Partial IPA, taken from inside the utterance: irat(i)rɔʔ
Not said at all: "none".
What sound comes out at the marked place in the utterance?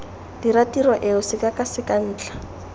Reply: i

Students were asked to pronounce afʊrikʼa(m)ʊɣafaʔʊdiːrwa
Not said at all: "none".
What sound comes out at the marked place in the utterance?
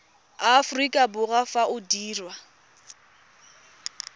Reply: b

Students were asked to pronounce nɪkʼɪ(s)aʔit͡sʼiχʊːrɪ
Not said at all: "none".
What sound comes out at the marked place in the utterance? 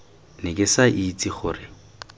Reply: s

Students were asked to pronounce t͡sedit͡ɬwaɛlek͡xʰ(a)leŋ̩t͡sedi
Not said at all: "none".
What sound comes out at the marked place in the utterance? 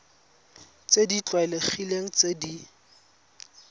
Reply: i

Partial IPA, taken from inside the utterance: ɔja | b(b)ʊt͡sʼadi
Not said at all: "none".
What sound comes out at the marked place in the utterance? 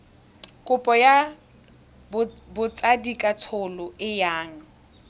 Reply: b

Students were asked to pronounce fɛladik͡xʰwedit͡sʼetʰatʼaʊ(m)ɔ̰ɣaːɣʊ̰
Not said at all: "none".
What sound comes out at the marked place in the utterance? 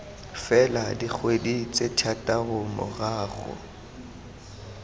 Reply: m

